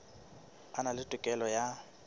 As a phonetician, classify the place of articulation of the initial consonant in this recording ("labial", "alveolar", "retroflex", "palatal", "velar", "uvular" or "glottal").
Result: alveolar